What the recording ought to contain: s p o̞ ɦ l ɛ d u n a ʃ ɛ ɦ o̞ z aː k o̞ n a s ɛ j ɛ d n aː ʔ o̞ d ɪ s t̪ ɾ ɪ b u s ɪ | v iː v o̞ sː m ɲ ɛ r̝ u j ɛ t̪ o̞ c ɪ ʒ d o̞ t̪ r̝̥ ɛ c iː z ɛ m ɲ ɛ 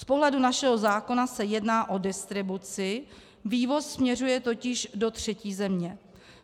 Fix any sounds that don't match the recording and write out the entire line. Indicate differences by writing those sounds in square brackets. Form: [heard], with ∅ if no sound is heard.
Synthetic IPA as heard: s p o̞ ɦ l ɛ d u n a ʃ ɛ ɦ o̞ z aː k o̞ n a s ɛ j ɛ d n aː ʔ o̞ d ɪ s t̪ ɾ ɪ b u [t͡s] ɪ | v iː v o̞ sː m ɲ ɛ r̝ u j ɛ t̪ o̞ c ɪ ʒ d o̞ t̪ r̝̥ ɛ c iː z ɛ m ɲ ɛ

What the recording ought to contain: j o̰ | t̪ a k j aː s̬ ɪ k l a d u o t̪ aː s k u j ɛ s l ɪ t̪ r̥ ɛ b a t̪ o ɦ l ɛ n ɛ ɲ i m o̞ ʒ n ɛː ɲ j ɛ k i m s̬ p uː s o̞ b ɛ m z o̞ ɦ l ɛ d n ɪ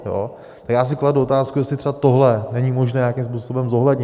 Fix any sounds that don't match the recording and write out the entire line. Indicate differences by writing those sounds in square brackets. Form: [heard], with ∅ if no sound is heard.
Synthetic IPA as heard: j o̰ | t̪ a k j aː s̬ ɪ k l a d u o t̪ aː s k u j ɛ s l ɪ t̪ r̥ ɛ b a t̪ o ɦ l ɛ n ɛ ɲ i m o̞ ʒ n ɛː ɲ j [a] k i m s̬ p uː s o̞ b ɛ m z o̞ ɦ l ɛ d [ɲ] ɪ

